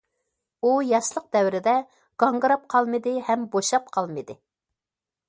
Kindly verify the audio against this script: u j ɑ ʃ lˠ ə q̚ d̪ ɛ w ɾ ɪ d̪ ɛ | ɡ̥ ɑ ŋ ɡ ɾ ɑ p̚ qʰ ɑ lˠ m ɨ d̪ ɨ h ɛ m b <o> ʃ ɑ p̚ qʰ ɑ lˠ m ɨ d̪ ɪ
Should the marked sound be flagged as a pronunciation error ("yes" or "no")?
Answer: no